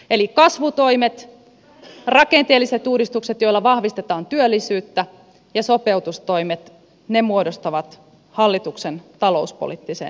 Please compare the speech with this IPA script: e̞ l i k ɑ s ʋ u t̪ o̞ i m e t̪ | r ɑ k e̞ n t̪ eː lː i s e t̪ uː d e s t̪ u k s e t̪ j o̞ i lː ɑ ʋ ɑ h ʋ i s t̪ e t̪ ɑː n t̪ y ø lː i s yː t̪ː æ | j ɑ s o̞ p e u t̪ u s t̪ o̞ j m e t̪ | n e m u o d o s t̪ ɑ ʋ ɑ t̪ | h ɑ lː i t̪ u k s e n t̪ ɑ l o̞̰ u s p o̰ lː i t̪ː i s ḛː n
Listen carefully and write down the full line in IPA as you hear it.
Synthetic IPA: e̞ l i k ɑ s ʋ u t̪ o̞ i m e t̪ | r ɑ k e̞ n t̪ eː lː i s e t̪ uː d i s t̪ u k s e t̪ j o̞ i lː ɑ ʋ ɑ h ʋ i s t̪ e t̪ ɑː n t̪ y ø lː i s yː t̪ː æ | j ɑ s o̞ p e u t̪ u s t̪ o̞ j m e t̪ | n e m u o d o s t̪ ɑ ʋ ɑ t̪ | h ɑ lː i t̪ u k s e n t̪ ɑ l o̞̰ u s p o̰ l i t̪ː i s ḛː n

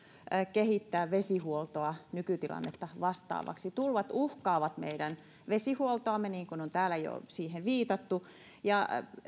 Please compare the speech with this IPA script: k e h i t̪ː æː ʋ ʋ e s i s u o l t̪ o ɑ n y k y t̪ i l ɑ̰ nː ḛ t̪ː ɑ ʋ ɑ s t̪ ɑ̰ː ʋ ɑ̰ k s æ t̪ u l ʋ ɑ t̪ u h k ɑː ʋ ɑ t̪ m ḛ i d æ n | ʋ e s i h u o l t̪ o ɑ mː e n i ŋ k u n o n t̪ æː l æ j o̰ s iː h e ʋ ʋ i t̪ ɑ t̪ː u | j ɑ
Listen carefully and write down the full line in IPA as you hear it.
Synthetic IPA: k e h i t̪ː æː ʋ ʋ e s i h u o l t̪ o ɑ n y k y t̪ i l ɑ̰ nː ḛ t̪ː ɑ ʋ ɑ s t̪ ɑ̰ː ʋ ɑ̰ k s i t̪ u l ʋ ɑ t̪ u h k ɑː ʋ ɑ t̪ m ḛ i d æ n | ʋ e s i h u o l t̪ o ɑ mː e n iː ŋ k u n o n t̪ æː l æ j o̰ s iː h e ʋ ʋ iː t̪ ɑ t̪ː u | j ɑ

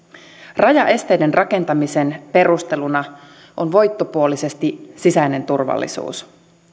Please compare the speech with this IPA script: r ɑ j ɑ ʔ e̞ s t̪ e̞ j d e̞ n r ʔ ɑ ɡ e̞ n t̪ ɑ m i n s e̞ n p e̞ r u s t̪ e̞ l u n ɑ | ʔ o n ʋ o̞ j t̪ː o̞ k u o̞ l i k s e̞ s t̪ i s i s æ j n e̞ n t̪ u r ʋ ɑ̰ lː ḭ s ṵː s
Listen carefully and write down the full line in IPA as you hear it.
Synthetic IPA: r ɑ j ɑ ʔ e̞ s t̪ e̞ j d e̞ n r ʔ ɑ k e̞ n t̪ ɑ m i s e̞ n p e̞ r u s t̪ e̞ l u n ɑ | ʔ o n ʋ o̞ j t̪ː o̞ p u o̞ l i s e̞ s t̪ i s i s æ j n e̞ n t̪ u r ʋ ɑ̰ lː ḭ s ṵː s

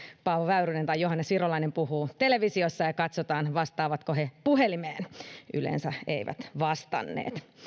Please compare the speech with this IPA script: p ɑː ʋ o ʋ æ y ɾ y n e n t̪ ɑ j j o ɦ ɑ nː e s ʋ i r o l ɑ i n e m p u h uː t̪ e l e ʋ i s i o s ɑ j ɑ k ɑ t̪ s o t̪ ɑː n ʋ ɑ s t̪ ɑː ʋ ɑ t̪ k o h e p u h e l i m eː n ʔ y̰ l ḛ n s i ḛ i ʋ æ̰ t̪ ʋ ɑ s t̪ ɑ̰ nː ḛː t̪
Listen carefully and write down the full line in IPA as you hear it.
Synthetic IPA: p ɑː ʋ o ʋ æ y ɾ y n e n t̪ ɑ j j o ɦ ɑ nː e s ʋ i r o l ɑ i n e m p u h uː t̪ e l e ʋ i s i o sː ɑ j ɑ k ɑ t̪ s o t̪ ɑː n ʋ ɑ s t̪ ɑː ʋ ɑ t̪ k o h e p u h e l i m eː n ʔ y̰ l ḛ n s æ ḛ i ʋ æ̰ t̪ ʋ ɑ s t̪ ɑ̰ nː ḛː t̪

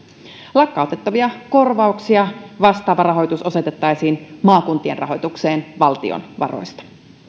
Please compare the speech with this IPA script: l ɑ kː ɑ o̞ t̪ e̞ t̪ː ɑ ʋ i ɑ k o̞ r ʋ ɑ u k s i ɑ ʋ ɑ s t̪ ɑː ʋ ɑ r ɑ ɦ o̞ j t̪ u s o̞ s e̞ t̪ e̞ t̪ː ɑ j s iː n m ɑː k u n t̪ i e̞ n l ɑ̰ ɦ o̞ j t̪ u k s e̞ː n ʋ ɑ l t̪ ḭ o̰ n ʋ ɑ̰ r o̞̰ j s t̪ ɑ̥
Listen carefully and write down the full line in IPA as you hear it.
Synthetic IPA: l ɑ kː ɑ o̞ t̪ e̞ t̪ː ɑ ʋ i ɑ k o̞ r ʋ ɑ u k s i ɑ ʋ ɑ s t̪ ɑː ʋ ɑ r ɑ ɦ o̞ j t̪ u s o̞ s e̞ t̪ e̞ t̪ː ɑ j s iː n m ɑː k u n t̪ i e̞ n r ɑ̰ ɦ o̞ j t̪ u k s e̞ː n ʋ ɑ l t̪ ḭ o̰ n ʋ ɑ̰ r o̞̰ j s t̪ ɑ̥

